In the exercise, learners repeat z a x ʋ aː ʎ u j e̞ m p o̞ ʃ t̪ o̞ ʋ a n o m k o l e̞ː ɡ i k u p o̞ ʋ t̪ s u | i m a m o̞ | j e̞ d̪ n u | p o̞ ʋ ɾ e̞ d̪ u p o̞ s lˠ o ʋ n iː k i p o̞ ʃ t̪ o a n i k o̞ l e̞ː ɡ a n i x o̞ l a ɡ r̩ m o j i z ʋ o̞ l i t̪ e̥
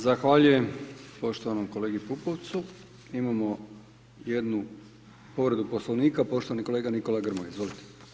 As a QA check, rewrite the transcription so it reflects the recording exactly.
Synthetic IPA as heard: z a x ʋ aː ʎ u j e̞ m p o̞ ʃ t̪ o̞ ʋ a n o m k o l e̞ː ɡ i p u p o̞ ʋ t̪ s u | i m a m o̞ | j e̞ d̪ n u | p o̞ ʋ ɾ e̞ d̪ u p o̞ s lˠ o ʋ n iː k a p o̞ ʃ t̪ o a n i k o̞ l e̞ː ɡ a n i k o̞ l a ɡ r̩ m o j i z ʋ o̞ l i t̪ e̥

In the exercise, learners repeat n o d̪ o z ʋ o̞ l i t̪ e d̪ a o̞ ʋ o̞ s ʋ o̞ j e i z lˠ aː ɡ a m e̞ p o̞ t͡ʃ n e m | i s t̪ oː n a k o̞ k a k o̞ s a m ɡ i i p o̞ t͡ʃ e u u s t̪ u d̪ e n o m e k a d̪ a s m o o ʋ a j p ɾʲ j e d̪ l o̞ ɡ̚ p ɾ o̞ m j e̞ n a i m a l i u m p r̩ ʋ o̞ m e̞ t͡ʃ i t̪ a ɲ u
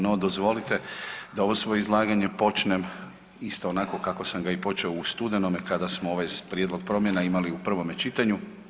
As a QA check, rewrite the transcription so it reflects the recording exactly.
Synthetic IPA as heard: n o d̪ o z ʋ o̞ l i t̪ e d̪ a o̞ ʋ o̞ s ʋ o̞ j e i z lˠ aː ɡ a ɲ e̞ p o̞ t͡ʃ n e m | i s t̪ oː n a k o̞ k a k o̞ s a m ɡ a i p o̞ t͡ʃ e o u s t̪ u d̪ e n o m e k a d̪ a s m o o ʋ a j p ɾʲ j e d̪ l o̞ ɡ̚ p ɾ o̞ m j e̞ n a i m a l i u p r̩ ʋ o̞ m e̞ t͡ʃ i t̪ a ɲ u

